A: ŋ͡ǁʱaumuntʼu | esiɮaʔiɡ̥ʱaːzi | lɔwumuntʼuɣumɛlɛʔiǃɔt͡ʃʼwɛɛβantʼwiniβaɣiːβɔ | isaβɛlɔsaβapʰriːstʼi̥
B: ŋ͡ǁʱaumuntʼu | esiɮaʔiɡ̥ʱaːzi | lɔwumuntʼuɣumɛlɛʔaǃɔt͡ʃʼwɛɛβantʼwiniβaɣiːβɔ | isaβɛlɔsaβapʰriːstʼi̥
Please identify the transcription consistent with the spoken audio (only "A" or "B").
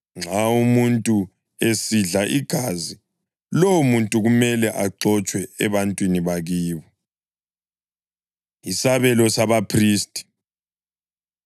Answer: B